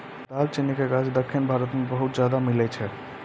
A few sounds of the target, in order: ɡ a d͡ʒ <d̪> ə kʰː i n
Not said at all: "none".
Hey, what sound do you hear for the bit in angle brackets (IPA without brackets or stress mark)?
d̪